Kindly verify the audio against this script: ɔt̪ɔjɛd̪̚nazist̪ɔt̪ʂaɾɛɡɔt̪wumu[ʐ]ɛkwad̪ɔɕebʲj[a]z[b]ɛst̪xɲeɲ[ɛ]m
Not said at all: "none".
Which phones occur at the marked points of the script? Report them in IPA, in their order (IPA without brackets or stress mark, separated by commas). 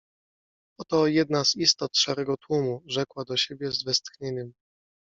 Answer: ʐ, ɛ, v, ɛ